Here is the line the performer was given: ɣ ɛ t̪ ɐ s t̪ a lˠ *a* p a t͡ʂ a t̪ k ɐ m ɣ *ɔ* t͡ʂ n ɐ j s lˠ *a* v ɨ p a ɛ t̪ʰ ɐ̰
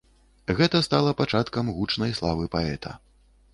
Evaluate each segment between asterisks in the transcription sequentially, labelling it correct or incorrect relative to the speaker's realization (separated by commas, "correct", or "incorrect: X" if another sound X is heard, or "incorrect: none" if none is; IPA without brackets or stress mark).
incorrect: ɐ, incorrect: u, correct